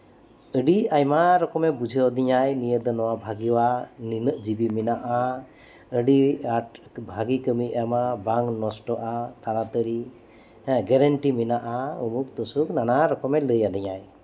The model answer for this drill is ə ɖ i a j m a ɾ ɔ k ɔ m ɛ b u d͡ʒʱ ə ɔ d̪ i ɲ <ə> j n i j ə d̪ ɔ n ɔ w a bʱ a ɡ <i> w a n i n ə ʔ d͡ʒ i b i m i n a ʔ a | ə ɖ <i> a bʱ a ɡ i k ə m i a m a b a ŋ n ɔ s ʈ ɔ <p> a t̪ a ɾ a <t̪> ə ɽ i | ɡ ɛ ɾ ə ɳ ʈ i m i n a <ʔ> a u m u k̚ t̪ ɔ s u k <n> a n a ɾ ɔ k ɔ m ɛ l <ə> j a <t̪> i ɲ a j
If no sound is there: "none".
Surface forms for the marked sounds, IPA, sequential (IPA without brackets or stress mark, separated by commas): a, i, i, ʔ, t̪, ʔ, n, ə, d̪